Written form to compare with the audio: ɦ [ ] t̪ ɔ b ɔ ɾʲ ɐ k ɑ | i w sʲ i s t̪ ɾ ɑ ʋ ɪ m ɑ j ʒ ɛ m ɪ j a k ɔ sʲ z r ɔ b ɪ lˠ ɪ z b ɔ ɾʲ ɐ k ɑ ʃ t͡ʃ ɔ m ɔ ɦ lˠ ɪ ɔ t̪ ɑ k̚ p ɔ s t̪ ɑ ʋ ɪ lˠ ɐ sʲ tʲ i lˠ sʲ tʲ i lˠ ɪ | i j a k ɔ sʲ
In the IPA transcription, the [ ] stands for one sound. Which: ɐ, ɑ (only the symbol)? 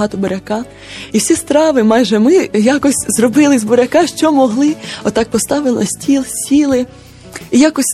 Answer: ɑ